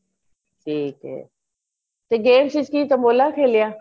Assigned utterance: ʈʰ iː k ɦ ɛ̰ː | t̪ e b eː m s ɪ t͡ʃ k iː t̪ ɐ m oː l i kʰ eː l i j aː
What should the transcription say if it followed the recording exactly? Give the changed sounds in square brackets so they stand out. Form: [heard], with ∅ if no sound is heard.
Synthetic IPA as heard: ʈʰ iː k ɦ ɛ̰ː | t̪ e [ɡ] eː m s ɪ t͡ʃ k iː t̪ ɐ m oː l [a] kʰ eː l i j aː